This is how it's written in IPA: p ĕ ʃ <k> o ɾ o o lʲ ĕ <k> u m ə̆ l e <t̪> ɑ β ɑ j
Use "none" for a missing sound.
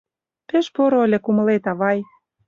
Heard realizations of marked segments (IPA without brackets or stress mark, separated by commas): p, k, t̪